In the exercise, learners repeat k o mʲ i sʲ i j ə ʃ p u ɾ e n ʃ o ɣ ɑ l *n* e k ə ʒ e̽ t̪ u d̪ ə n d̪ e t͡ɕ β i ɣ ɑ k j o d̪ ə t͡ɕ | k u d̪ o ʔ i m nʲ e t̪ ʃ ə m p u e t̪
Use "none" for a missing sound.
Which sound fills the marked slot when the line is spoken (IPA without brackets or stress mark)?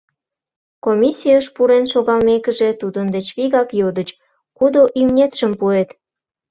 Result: m